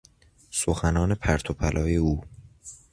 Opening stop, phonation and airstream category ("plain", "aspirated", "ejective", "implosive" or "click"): aspirated